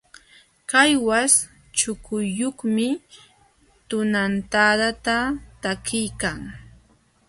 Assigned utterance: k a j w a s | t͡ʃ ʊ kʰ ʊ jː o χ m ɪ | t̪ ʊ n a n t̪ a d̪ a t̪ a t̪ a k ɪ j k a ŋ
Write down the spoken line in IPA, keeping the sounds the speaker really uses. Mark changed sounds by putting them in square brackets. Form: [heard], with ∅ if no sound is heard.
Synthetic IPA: k a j w a s | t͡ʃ ʊ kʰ ʊ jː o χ m ɪ | t̪ ʊ n a n t̪ a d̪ a t̪ a t̪ a k ɪ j k a ŋ